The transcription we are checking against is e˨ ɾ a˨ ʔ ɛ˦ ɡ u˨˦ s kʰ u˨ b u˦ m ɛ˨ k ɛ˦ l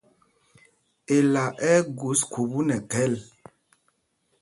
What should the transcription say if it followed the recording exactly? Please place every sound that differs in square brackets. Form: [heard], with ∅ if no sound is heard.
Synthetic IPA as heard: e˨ [l] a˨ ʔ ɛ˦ ɡ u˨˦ s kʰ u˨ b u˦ [n] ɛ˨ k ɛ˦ l